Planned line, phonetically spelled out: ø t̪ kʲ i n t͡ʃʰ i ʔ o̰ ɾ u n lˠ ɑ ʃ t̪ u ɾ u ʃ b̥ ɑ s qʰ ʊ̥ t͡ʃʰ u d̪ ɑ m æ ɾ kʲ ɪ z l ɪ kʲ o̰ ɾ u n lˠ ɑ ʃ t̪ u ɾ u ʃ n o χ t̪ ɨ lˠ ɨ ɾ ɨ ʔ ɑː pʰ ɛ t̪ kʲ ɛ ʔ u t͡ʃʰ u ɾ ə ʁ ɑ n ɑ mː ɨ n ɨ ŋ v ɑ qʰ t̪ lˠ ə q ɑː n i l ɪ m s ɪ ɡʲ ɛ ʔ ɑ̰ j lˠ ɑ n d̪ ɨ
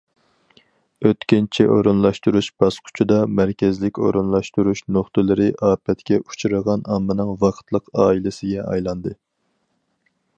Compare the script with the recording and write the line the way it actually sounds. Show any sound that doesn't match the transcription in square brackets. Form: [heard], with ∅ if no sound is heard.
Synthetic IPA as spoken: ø t̪ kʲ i n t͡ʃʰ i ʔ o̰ ɾ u n lˠ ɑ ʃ t̪ u ɾ u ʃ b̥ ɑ s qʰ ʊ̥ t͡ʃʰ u d̪ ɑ m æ ɾ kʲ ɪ z l ɪ kʲ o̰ ɾ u n lˠ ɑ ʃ t̪ u ɾ u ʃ n o χ t̪ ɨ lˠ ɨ ɾ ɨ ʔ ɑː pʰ ɛ t̪ kʲ ɛ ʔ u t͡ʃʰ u ɾ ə ʁ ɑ n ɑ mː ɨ n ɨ ŋ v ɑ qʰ t̪ lˠ ə q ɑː [∅] i l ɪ [∅] s ɪ ɡʲ ɛ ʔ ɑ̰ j lˠ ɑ n d̪ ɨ